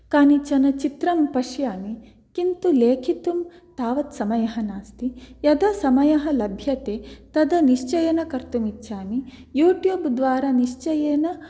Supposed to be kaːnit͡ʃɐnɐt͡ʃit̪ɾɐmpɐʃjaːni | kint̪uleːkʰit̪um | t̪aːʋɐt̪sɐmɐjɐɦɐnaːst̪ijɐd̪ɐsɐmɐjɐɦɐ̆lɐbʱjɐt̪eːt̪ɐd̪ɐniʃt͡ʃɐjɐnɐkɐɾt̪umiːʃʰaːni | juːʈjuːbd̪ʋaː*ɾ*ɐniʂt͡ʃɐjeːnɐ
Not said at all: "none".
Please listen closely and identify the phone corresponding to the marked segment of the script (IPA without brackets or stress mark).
ɾ